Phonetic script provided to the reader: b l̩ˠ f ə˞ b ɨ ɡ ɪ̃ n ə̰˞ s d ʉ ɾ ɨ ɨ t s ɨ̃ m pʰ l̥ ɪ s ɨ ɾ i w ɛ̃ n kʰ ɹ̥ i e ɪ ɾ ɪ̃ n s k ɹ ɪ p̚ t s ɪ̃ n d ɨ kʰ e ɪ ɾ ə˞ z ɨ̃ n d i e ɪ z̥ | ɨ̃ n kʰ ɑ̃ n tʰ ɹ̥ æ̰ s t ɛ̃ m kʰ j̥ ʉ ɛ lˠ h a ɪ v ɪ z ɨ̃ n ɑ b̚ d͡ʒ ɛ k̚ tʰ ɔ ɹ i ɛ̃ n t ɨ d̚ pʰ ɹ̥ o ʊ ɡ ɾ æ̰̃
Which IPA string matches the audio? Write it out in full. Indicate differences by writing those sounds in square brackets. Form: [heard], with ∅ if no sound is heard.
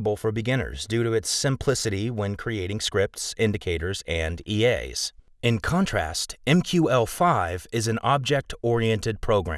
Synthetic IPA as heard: b l̩ˠ f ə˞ b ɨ ɡ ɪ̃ n ə̰˞ [z] d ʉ ɾ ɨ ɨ t s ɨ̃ m pʰ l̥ ɪ s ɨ ɾ i w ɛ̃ n kʰ ɹ̥ i e ɪ ɾ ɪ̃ [ŋ] s k ɹ ɪ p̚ t s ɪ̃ n d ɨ kʰ e ɪ ɾ ə˞ z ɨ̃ n d i e ɪ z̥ | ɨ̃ n kʰ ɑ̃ n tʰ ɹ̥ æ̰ s t ɛ̃ m kʰ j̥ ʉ ɛ lˠ [f] a ɪ v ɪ z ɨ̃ n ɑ b̚ d͡ʒ ɛ k̚ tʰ ɔ ɹ i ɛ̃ n t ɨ d̚ pʰ ɹ̥ o ʊ ɡ [ɹ] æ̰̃